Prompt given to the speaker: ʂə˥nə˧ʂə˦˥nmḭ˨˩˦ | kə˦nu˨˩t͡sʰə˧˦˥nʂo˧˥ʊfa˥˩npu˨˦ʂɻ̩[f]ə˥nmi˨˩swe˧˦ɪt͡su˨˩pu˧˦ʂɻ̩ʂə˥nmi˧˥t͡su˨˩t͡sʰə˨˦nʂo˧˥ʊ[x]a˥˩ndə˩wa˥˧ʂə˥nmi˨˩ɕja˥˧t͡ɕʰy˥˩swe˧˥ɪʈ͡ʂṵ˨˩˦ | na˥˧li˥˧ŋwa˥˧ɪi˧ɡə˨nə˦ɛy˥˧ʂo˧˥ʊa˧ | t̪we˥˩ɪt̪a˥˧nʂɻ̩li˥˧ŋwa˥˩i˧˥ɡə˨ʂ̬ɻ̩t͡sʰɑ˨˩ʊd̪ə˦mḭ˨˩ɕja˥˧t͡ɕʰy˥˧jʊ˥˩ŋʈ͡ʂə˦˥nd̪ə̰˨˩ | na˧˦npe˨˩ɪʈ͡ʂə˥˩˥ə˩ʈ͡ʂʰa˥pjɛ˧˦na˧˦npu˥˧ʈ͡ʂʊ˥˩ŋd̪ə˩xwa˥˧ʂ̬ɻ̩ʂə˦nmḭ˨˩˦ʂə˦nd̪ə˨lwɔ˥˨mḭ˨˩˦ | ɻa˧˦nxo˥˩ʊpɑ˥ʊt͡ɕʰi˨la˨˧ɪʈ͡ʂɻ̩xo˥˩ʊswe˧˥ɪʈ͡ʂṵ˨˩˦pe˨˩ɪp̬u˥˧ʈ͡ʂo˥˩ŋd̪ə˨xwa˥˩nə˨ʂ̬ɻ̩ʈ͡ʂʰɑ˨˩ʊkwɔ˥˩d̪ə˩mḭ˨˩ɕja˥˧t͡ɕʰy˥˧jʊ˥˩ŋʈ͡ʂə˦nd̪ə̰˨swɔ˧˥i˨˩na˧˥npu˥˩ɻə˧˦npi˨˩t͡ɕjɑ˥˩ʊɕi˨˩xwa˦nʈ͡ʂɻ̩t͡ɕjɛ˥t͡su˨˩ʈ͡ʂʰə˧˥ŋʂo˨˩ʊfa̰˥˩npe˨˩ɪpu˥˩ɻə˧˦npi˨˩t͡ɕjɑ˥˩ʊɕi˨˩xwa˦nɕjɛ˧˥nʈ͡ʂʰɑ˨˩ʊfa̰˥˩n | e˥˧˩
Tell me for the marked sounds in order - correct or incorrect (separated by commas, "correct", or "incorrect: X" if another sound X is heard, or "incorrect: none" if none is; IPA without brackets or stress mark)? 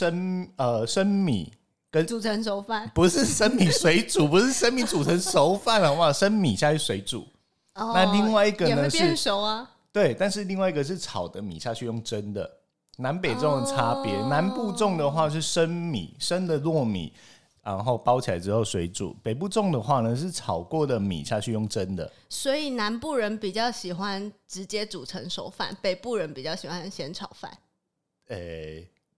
incorrect: ʂ, incorrect: f